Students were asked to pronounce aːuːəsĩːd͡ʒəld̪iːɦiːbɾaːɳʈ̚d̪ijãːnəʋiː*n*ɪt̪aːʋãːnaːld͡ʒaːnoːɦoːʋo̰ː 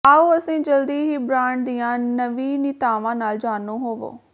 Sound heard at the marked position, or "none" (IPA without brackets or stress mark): n